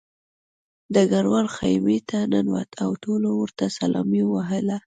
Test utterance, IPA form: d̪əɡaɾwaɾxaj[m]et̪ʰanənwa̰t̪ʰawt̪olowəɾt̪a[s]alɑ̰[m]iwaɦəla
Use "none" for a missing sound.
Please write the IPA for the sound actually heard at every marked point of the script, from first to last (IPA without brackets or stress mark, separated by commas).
m, s, m